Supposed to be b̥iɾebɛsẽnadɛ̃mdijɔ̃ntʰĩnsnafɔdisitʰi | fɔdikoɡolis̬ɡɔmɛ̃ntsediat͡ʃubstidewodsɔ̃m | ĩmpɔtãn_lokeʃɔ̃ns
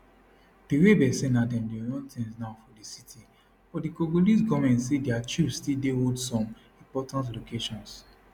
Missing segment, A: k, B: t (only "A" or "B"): B